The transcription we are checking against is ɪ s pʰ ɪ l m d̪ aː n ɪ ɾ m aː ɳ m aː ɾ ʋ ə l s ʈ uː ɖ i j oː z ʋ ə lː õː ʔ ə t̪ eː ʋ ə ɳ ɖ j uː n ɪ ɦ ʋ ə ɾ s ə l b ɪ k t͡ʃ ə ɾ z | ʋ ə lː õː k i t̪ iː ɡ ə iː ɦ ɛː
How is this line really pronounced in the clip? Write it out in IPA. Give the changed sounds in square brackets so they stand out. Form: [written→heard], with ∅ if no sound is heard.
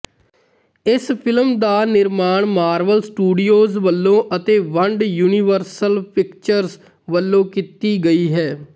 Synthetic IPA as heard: ɪ s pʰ ɪ l m d̪ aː n ɪ ɾ m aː ɳ m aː ɾ ʋ ə l s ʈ uː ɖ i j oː z ʋ ə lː õː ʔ ə t̪ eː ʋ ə ɳ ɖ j uː n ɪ [ɦ→∅] ʋ ə ɾ s ə l [b→p] ɪ k t͡ʃ ə ɾ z | ʋ ə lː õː k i t̪ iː ɡ ə iː ɦ ɛː